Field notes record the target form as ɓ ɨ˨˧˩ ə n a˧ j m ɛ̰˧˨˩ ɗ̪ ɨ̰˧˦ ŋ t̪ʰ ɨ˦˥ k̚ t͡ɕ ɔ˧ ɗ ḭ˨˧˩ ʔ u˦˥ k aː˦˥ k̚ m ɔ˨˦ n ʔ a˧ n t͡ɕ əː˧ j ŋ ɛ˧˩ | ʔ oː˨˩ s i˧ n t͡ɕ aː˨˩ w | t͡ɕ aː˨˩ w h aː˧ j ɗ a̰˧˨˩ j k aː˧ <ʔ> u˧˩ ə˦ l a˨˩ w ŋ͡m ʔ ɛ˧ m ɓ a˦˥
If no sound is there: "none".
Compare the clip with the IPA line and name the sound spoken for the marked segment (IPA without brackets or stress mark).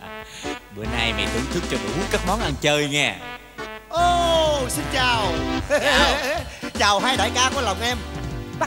k